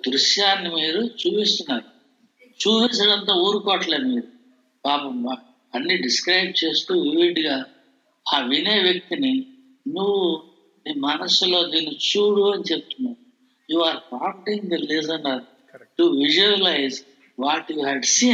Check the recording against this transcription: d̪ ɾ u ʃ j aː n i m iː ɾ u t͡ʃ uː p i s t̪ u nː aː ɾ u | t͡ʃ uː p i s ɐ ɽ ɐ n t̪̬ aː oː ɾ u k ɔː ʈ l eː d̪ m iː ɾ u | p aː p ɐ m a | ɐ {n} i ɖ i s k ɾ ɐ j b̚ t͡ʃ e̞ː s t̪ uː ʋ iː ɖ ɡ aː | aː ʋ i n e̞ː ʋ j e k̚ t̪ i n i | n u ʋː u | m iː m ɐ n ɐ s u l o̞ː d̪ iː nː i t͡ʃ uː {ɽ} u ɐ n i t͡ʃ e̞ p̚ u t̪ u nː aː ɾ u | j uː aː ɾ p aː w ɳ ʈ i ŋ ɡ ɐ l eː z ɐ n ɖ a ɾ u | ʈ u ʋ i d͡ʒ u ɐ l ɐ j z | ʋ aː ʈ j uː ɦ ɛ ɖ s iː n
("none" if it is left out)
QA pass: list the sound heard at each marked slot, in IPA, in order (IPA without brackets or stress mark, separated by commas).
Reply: nː, ɽ